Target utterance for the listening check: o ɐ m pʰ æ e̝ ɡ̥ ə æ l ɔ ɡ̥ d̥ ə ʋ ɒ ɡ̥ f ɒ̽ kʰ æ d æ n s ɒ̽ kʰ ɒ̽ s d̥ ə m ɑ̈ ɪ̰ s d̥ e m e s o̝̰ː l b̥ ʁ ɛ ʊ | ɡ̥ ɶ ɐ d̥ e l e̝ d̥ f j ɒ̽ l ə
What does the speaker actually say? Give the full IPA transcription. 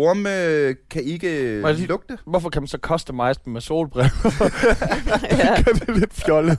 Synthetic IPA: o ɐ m kʰ æ e̝ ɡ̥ ə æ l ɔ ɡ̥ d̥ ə ʋ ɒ f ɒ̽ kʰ æ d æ n s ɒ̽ kʰ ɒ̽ s d̥ ə m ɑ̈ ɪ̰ s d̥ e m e s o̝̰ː l b̥ ʁ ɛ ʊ | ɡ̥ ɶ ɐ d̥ e l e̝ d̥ f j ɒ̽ l ə